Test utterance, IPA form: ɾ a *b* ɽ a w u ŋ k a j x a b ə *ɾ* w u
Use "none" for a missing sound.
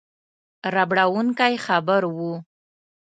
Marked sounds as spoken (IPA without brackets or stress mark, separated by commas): b, ɾ